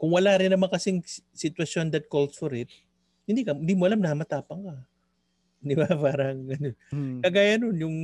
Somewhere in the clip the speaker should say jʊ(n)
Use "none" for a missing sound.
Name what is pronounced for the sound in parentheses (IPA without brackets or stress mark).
ŋ